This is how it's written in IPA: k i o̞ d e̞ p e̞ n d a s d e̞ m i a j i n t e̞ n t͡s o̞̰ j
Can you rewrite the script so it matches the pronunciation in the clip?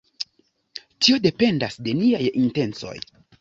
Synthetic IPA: t i o̞ d e̞ p e̞ n d a s d e̞ n i a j i n t e̞ n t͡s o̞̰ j